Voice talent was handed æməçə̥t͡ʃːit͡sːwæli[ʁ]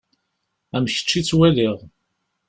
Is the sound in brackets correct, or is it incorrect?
correct